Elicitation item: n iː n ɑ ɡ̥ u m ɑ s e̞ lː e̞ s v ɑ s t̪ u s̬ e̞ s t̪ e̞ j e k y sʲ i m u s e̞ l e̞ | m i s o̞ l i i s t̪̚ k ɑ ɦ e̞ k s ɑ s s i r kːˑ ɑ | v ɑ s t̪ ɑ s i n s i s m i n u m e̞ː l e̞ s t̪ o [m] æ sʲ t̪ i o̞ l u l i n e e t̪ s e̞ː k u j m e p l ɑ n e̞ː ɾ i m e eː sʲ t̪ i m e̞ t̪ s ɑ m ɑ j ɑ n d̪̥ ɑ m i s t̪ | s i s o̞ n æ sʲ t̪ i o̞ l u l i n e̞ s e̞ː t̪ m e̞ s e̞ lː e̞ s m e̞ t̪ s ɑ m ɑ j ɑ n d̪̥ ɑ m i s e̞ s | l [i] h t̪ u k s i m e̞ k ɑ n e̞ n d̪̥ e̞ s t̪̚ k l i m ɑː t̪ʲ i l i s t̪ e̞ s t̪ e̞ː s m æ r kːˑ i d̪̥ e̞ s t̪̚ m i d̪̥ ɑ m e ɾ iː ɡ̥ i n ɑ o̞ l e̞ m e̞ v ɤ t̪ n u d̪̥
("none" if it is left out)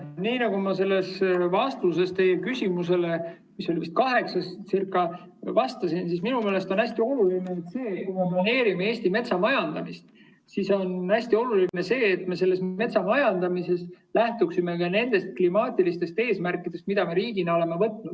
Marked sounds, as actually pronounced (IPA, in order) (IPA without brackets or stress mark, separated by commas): n, æ